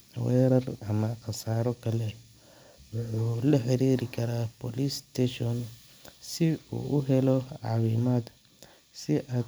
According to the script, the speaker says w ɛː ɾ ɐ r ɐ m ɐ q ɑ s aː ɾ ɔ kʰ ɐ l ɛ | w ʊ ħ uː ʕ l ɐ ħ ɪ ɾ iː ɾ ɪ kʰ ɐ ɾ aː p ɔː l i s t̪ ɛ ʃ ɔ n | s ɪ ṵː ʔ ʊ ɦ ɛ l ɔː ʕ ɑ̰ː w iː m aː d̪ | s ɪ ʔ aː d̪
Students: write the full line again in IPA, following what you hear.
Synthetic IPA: w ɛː ɾ ɐ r ɐ m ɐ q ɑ s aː ɾ ɔ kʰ ɐ l ɛ | w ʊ ħ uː l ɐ ħ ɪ ɾ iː ɾ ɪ kʰ ɐ ɾ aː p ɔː l i s t̪ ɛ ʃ ɔ n | s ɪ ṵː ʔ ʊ ɦ ɛ l ɔ ʕ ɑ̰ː w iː m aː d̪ | s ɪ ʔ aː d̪